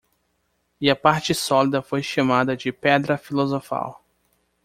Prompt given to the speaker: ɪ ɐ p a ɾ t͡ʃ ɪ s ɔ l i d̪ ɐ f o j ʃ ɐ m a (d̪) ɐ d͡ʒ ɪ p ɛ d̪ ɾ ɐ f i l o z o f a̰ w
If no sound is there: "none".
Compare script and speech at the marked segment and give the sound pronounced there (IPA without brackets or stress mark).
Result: d̪